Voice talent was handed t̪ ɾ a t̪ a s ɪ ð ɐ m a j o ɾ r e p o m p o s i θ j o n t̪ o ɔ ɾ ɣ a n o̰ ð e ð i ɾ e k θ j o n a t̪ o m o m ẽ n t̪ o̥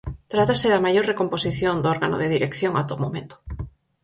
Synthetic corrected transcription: t̪ ɾ a t̪ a s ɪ ð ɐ m a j o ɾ r e k o m p o s i θ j o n d̪ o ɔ ɾ ɣ a n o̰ ð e ð i ɾ e k θ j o ŋ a t̪ o m o m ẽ n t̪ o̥